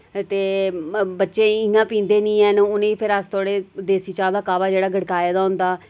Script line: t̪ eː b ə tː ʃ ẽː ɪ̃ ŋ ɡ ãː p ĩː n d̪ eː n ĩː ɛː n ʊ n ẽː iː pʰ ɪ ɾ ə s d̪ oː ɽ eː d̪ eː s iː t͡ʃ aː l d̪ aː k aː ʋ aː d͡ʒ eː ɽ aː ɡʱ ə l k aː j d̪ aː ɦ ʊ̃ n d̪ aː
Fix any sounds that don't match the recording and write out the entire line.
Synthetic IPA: t̪ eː b ə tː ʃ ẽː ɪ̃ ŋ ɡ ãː p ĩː n d̪ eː n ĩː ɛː n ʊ n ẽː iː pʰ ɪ ɾ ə s t̪ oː ɽ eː d̪ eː s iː t͡ʃ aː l d̪ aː k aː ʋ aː d͡ʒ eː ɽ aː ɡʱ ə ɽ k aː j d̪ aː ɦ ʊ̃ n d̪ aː